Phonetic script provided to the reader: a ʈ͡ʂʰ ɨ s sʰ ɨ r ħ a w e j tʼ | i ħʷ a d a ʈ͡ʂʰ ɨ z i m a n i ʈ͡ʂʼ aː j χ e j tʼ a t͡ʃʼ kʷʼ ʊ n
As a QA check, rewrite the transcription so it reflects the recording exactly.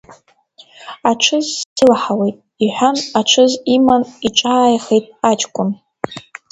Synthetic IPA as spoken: a ʈ͡ʂʰ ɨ z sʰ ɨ l ħ a w e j tʼ | i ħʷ a n a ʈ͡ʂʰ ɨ z i m a n i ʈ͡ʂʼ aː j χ e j tʼ a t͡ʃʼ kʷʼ ʊ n